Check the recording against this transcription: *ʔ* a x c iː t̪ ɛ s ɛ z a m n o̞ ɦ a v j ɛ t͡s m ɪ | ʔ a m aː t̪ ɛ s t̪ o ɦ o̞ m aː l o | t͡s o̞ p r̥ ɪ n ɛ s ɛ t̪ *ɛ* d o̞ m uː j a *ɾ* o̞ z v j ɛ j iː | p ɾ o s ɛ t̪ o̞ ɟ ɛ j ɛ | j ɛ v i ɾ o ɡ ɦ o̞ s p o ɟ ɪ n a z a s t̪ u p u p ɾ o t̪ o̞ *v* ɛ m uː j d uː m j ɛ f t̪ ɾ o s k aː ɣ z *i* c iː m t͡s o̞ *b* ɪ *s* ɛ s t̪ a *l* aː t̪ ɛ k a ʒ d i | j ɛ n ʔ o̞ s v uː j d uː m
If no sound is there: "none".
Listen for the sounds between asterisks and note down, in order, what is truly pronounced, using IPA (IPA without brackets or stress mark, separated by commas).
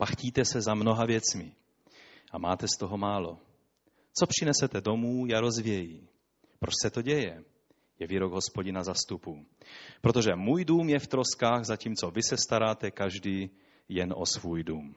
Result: p, ɛ, ɾ, ʒ, a, v, s, ɾ